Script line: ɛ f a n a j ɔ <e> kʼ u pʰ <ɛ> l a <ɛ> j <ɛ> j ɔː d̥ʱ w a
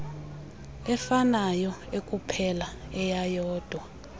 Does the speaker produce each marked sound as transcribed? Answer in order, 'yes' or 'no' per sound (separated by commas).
yes, yes, yes, no